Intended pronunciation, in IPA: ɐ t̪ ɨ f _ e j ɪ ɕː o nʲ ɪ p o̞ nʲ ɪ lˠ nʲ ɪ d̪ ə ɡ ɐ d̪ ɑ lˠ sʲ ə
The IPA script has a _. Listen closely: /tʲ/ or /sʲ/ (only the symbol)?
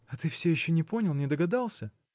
sʲ